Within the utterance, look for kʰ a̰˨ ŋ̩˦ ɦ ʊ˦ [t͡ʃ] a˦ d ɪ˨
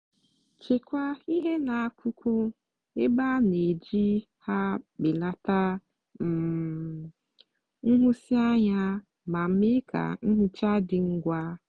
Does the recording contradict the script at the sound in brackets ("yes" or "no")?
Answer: no